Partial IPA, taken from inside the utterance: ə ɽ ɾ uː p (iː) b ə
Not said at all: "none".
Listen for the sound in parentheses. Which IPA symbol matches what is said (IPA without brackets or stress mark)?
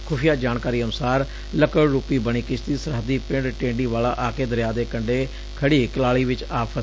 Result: iː